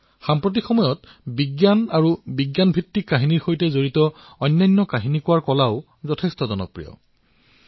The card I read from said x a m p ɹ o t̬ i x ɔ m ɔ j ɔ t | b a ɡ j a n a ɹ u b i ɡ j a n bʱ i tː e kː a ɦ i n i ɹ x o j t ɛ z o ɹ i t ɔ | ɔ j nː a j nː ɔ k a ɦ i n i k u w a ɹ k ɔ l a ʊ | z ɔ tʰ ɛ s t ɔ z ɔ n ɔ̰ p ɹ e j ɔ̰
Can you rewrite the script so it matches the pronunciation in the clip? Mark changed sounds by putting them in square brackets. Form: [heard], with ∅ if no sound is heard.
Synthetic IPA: x a m p ɹ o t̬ i x ɔ m ɔ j ɔ t | b [i] ɡ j a n a ɹ u b i ɡ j a n bʱ i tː [i] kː a ɦ i n i ɹ x o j t ɛ z o ɹ i t ɔ | ɔ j nː a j nː ɔ k a ɦ i n i k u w a ɹ k ɔ l a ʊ | z ɔ tʰ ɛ s t ɔ z ɔ n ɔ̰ p ɹ [i] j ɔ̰

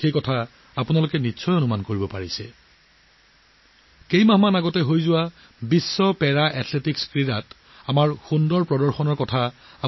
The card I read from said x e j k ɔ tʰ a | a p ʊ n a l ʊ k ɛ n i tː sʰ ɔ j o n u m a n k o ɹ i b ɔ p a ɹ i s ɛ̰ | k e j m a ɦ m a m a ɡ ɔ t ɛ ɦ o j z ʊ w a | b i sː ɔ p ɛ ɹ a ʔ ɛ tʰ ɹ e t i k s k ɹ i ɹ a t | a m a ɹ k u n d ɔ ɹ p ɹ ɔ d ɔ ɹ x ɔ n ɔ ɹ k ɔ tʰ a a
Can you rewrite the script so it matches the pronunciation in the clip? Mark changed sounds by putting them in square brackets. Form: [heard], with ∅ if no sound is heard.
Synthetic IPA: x e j k ɔ tʰ a | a p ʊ n a l ʊ k ɛ n i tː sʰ ɔ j o n u m a n k o ɹ i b ɔ p a ɹ i s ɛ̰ | k e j m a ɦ m a [n] a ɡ ɔ t ɛ ɦ o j z ʊ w a | b i sː ɔ p ɛ ɹ a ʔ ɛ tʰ [l] e t i k s k ɹ i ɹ a t | a m a ɹ [x] u n d ɔ ɹ p ɹ ɔ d ɔ ɹ x ɔ n ɔ ɹ k ɔ tʰ a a

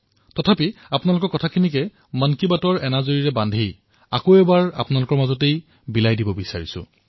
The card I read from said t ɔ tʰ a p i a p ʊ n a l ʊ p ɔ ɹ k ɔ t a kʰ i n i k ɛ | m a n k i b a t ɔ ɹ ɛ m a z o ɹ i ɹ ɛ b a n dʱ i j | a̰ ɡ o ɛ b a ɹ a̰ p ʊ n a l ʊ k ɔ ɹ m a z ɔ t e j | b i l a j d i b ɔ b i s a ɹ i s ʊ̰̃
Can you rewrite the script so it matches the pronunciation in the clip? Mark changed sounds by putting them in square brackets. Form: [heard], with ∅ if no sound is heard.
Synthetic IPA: t ɔ tʰ a p i a p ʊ n a l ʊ [k] ɔ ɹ k ɔ [tʰ] a kʰ i n i k ɛ | m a n k i b a t ɔ ɹ ɛ [n] a z o ɹ i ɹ ɛ b a n dʱ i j | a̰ [k] o ɛ b a ɹ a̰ p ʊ n a l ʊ k ɔ ɹ m a z ɔ t e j | b i l a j d i b ɔ b i s a ɹ i s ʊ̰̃

